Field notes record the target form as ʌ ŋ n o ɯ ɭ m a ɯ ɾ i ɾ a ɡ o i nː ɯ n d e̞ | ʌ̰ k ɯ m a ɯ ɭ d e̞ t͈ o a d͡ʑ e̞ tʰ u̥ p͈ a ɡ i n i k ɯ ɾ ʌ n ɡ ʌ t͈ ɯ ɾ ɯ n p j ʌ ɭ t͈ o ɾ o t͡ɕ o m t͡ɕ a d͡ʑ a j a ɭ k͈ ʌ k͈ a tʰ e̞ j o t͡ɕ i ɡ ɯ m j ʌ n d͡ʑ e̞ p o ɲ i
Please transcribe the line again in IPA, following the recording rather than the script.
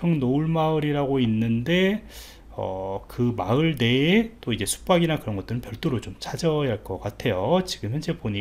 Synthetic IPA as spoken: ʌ ŋ n o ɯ ɭ m a ɯ ɾ i ɾ a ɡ o i nː ɯ n d e̞ | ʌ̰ k ɯ m a ɯ ɭ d e̞ t͈ o i d͡ʑ e̞ sʰ u̥ p͈ a ɡ i n a k ɯ ɾ ʌ n ɡ ʌ t͈ ɯ ɾ ɯ n p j ʌ ɭ t͈ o ɾ o t͡ɕ o m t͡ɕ a d͡ʑ ʌ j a ɭ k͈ ʌ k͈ a tʰ e̞ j o t͡ɕ i ɡ ɯ m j ʌ n d͡ʑ e̞ p o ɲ i